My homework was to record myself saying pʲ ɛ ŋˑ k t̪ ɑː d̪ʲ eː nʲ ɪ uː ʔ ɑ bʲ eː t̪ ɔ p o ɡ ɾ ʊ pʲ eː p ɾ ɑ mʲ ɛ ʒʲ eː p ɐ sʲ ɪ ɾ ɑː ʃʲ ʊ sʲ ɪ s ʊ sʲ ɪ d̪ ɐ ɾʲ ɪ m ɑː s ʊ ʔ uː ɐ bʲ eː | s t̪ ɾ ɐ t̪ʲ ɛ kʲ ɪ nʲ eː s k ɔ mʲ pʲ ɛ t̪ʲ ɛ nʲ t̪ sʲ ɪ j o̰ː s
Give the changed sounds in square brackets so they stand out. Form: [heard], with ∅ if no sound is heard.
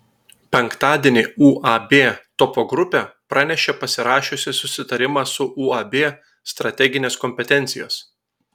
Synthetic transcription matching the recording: pʲ ɛ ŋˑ k t̪ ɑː d̪ʲ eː nʲ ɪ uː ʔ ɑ bʲ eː t̪ ɔ p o ɡ ɾ ʊ pʲ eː p ɾ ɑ [nʲ] ɛ [ʃʲ] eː p ɐ sʲ ɪ ɾ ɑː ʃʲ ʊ sʲ ɪ s ʊ sʲ ɪ [t̪] ɐ ɾʲ ɪ m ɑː s ʊ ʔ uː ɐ bʲ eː | s t̪ ɾ ɐ t̪ʲ ɛ [ɡʲ] ɪ nʲ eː s k ɔ mʲ pʲ ɛ t̪ʲ ɛ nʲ t̪ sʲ ɪ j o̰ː s